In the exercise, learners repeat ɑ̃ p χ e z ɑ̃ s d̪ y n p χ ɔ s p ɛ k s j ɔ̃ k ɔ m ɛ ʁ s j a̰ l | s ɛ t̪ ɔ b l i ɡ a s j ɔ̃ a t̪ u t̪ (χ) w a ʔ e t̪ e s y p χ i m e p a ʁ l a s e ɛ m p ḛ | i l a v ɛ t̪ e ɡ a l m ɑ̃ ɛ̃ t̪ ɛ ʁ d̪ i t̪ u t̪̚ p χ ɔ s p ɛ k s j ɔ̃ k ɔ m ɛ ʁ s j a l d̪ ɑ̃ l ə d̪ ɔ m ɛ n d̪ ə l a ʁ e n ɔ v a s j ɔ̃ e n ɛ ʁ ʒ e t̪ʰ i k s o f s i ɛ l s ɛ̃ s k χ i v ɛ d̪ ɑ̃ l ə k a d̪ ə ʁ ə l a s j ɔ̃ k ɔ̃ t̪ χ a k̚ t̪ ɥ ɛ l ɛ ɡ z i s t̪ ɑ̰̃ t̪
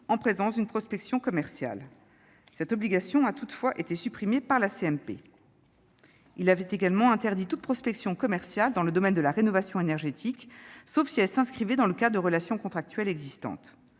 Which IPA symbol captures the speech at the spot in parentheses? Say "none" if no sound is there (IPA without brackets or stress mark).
f